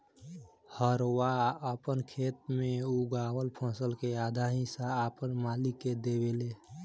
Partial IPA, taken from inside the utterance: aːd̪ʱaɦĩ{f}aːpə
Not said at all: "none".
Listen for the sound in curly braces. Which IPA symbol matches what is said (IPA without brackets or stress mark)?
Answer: s